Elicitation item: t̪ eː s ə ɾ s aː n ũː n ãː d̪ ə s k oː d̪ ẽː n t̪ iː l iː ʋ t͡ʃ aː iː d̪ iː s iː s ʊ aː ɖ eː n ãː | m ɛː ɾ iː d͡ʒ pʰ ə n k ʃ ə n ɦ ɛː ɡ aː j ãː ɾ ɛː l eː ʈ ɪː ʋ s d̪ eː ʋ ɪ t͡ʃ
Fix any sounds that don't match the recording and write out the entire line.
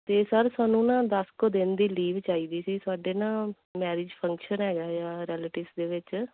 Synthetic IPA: t̪ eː s ə ɾ s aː n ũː n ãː d̪ ə s k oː d̪ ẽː n d̪ iː l iː ʋ t͡ʃ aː iː d̪ iː s iː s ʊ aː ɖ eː n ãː | m ɛː ɾ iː d͡ʒ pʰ ə ŋ k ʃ ə n ɦ ɛː ɡ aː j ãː ɾ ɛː l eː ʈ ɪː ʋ s d̪ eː ʋ ɪ t͡ʃ